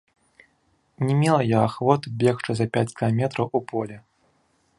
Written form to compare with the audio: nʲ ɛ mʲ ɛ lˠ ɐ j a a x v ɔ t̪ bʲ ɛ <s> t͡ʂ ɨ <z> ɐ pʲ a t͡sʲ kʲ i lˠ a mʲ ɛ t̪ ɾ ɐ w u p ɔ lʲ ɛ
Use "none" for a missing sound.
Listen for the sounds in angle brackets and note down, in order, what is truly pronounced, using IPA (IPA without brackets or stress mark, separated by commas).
x, z